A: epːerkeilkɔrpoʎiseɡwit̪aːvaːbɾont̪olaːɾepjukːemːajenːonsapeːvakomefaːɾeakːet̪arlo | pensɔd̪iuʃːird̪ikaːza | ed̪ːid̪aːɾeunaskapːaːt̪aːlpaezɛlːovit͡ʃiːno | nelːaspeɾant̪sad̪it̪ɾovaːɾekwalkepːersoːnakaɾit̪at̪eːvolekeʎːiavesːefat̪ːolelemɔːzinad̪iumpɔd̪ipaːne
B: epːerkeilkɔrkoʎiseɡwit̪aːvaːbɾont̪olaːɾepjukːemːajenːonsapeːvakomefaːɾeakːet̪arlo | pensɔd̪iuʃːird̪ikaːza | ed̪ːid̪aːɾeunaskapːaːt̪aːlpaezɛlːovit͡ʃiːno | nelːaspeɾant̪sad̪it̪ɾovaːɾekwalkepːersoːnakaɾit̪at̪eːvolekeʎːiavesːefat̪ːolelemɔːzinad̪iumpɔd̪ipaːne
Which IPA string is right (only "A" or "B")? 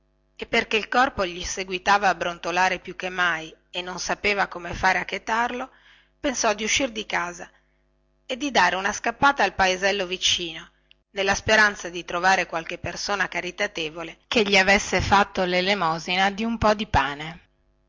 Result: A